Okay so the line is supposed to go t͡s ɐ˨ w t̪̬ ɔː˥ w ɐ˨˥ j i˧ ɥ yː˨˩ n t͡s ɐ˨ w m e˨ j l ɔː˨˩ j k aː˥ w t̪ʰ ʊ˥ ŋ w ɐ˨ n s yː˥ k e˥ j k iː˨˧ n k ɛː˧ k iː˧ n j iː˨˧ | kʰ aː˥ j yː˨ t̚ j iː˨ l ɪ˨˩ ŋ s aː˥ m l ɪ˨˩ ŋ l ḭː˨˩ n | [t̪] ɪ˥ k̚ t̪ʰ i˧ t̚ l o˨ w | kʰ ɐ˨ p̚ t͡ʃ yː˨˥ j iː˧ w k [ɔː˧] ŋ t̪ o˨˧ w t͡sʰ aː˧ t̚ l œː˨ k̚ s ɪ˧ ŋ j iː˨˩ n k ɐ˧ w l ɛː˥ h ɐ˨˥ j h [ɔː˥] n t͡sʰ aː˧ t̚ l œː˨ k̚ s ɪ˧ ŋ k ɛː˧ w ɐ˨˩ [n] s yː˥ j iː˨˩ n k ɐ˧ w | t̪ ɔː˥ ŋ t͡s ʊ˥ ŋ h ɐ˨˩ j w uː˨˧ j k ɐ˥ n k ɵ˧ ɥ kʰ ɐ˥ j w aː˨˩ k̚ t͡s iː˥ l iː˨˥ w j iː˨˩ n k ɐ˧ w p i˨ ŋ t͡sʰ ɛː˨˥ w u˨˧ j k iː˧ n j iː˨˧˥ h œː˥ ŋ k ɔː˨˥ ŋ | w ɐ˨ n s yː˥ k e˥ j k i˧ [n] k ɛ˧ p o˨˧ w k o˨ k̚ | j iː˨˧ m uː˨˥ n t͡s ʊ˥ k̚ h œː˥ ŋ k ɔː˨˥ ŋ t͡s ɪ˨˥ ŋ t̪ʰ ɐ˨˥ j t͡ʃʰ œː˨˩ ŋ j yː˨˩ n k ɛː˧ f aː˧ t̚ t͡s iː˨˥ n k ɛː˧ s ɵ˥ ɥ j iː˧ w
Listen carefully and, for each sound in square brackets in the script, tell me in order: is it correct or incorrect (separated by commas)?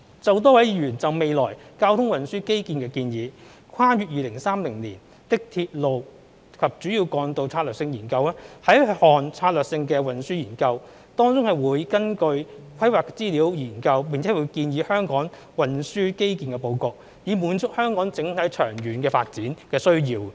correct, correct, incorrect, correct, correct